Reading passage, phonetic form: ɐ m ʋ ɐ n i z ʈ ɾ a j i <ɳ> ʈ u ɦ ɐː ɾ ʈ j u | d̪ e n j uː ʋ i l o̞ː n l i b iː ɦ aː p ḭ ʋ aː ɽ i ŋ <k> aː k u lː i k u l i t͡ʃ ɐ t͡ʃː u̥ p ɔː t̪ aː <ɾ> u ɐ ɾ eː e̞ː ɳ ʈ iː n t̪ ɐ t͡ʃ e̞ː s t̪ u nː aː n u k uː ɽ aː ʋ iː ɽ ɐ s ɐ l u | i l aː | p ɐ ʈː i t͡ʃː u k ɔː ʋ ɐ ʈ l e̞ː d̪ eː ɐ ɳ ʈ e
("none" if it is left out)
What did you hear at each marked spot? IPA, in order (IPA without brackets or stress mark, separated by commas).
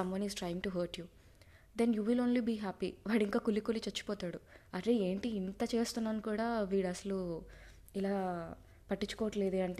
ŋ, k, ɽ